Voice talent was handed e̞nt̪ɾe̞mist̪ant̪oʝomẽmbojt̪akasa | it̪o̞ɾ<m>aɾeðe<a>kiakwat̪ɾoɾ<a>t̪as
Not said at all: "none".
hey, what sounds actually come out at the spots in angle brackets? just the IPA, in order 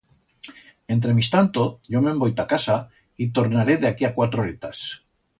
n, a, e

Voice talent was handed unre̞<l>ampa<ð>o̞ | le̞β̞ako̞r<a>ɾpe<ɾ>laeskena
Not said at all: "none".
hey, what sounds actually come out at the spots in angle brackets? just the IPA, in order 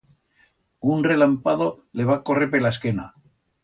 l, ð, e, none

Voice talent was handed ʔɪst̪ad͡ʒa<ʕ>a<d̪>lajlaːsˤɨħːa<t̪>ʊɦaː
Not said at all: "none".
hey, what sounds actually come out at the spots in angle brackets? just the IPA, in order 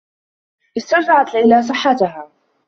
ʕ, t̪, t̪

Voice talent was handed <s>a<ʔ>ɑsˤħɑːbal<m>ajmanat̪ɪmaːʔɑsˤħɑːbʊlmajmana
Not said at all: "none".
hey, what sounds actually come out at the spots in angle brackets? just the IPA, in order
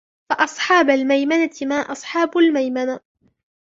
f, ʔ, m

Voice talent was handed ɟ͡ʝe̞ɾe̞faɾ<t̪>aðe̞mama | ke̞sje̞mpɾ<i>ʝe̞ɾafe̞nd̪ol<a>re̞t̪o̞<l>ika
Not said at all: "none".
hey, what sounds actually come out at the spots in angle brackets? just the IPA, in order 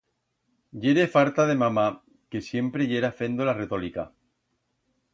t̪, e, a, l

